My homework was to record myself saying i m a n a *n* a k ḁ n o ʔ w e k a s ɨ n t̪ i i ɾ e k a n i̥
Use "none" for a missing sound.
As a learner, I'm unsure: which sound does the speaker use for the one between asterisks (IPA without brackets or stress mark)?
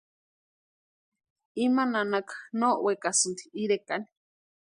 n